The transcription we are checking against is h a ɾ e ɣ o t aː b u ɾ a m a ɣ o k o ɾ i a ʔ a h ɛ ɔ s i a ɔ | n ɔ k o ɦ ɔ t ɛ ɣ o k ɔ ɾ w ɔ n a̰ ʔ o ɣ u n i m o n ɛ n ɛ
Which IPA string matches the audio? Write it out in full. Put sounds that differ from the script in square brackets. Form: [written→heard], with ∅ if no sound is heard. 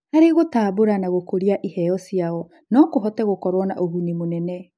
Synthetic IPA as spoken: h a ɾ e ɣ o t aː b [u→o] ɾ a [m→n] a ɣ o k o ɾ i a ʔ [a→i] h ɛ ɔ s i a ɔ | n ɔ k o ɦ ɔ t ɛ ɣ o k ɔ ɾ w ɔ n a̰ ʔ o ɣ u n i m o n ɛ n ɛ